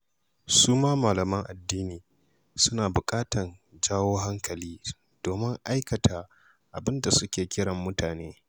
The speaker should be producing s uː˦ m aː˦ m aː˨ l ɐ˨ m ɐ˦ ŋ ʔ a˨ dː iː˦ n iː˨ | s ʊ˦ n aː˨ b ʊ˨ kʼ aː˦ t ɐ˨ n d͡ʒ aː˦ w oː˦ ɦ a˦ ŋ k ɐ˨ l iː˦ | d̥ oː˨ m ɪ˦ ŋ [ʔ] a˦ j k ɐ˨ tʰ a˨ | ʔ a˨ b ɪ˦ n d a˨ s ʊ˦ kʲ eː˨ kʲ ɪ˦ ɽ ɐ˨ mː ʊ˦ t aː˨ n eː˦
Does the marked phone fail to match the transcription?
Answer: no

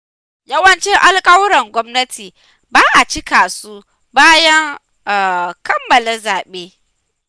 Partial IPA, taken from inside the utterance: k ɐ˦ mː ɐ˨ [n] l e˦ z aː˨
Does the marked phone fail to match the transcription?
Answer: yes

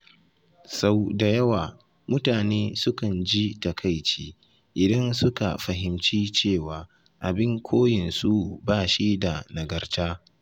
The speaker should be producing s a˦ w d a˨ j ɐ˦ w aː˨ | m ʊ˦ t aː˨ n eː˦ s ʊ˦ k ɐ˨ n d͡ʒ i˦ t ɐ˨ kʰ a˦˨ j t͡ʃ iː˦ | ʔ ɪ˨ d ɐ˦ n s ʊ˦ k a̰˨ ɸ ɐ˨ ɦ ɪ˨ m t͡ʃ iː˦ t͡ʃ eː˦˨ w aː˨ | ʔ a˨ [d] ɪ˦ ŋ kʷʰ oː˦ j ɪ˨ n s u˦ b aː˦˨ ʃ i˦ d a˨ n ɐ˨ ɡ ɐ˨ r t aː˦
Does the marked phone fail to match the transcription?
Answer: yes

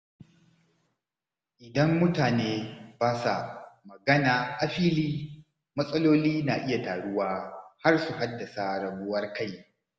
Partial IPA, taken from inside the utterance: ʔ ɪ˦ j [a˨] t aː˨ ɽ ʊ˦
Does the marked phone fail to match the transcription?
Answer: no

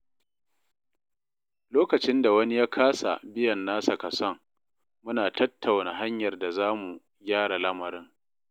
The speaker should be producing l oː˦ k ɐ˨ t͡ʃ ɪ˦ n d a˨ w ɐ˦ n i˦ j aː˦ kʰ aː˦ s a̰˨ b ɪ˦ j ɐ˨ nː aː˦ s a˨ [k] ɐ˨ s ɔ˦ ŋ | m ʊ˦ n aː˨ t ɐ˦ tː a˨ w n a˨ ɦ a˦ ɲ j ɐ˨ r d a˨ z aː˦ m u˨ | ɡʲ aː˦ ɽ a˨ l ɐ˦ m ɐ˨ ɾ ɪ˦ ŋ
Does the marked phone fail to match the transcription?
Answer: no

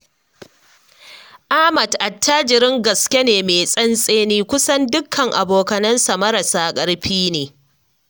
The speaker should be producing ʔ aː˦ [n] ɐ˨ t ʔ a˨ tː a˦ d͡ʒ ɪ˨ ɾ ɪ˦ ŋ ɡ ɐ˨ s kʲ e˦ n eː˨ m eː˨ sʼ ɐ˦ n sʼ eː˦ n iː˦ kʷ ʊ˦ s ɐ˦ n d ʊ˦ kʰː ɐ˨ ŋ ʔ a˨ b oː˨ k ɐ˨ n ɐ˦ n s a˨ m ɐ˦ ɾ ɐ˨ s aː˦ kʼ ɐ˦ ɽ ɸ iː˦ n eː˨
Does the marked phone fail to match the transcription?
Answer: yes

